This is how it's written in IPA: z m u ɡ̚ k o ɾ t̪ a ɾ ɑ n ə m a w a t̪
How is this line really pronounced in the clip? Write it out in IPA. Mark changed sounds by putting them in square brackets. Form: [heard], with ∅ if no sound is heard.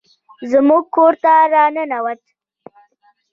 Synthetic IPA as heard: z m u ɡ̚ k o ɾ t̪ a ɾ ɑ n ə [n] a w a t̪